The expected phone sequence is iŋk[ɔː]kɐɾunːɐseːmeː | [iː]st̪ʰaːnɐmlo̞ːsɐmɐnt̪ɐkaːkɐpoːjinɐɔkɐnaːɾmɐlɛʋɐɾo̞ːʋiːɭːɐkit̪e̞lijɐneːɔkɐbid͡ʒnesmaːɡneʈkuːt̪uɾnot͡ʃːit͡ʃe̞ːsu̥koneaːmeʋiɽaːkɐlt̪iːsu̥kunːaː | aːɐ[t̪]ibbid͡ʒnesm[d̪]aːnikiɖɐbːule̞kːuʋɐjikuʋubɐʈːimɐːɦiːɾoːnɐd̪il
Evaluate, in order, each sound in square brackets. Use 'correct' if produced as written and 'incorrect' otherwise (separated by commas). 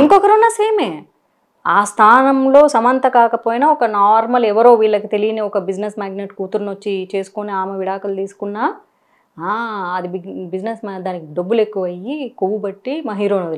incorrect, incorrect, incorrect, correct